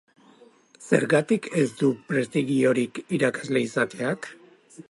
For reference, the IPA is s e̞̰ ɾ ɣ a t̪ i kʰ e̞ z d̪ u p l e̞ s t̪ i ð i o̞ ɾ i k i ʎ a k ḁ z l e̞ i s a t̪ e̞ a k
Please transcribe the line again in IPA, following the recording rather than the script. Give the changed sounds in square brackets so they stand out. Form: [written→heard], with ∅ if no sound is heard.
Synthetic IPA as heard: s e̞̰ ɾ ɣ a t̪ i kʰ e̞ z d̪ u p [l→ɾ] e̞ s t̪ i [ð→ɣ] i o̞ ɾ i k i [ʎ→ɾ] a k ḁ z l e̞ i s a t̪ e̞ a k